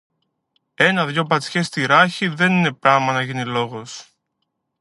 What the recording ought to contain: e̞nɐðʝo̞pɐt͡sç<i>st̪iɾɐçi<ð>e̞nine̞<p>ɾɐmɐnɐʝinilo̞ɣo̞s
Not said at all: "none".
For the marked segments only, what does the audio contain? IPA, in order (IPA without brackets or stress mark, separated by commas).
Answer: e, ð, p